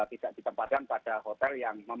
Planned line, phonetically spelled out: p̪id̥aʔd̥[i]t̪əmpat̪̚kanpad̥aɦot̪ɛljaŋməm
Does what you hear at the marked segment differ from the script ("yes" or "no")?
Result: no